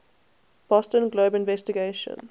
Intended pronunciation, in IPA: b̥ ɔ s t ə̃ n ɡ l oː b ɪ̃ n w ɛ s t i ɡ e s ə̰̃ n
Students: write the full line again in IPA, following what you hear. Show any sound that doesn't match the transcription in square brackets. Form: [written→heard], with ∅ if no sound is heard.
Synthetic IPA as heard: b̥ ɔ s t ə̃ n ɡ l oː b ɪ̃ n [w→v] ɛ s t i ɡ e [s→ʃ] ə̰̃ n

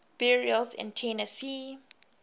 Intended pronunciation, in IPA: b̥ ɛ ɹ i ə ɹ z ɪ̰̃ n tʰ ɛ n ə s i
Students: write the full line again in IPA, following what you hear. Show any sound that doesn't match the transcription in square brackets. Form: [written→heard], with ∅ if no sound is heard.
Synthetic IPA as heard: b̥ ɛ ɹ i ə [ɹ→l] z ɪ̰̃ n tʰ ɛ n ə s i

